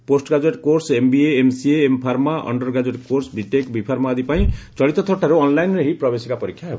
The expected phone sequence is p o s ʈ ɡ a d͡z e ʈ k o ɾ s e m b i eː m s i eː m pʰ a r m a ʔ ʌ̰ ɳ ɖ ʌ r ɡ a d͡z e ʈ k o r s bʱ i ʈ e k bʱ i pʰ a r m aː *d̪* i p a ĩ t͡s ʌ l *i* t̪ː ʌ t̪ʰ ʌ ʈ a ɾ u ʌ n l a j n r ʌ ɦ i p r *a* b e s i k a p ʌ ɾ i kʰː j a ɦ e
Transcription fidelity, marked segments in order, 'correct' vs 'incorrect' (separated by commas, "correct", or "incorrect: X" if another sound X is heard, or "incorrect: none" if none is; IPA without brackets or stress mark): correct, correct, incorrect: ʌ